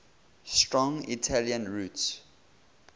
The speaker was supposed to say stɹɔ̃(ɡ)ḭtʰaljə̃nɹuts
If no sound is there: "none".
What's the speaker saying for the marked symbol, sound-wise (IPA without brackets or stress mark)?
ŋ